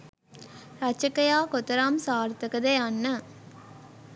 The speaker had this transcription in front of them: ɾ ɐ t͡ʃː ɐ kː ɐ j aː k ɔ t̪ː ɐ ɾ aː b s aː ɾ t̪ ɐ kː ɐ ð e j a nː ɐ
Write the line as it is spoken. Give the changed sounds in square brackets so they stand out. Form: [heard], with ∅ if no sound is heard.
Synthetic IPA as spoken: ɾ ɐ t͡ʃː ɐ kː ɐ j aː k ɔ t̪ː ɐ ɾ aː [m] s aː ɾ t̪ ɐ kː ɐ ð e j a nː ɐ

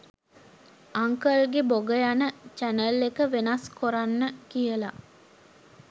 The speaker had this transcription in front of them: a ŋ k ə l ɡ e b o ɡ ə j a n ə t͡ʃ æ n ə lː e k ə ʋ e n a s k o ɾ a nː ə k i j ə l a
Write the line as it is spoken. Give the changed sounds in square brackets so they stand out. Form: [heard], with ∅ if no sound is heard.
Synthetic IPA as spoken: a ŋ k ə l ɡ e b o ɡ ə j a n ə t͡ʃ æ n ə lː e k ə ʋ e n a s k o ɾ a nː ə k i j ə l a

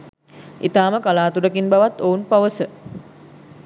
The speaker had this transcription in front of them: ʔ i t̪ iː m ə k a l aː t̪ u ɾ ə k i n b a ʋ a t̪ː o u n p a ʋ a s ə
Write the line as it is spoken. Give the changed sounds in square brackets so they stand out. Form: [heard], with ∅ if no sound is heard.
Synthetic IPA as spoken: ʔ i t̪ [aː] m ə k a l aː t̪ u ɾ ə k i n b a ʋ a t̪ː o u n p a ʋ [ə] s ə

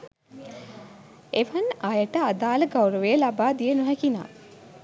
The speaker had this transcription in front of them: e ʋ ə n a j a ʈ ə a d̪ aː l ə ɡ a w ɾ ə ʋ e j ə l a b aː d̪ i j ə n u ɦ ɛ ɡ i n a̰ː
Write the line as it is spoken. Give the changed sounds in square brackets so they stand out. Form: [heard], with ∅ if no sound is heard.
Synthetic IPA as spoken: e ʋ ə n a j [ə] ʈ ə a d̪ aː l ə ɡ a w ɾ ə ʋ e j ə l a b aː d̪ i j ə n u ɦ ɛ [k] i n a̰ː

